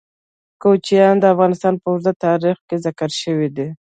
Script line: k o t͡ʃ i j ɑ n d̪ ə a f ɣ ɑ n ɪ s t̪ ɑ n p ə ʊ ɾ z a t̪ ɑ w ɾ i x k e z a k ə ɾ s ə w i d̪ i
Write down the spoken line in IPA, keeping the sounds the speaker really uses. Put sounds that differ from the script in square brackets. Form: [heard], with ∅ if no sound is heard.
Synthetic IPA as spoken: k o t͡ʃ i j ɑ n d̪ ə a f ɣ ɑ n ɪ s t̪ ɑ n p ə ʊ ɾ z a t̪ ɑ [∅] ɾ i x k e z a k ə ɾ [ʃ] ə w i d̪ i